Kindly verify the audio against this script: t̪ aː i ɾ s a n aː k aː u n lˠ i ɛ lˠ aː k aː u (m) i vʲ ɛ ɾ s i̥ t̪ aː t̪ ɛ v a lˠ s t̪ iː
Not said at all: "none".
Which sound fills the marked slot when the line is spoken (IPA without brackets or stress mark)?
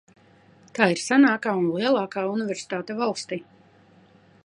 n